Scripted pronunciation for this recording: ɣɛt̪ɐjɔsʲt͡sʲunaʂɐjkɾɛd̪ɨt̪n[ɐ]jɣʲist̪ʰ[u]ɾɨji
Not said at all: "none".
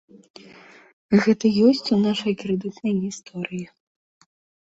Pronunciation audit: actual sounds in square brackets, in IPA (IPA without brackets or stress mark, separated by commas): ɐ, ɔ